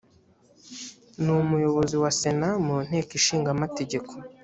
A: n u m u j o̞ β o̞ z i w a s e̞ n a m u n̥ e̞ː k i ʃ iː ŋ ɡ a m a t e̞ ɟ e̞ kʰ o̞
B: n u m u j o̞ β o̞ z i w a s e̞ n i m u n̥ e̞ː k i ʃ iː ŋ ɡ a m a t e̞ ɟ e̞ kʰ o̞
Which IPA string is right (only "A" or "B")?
A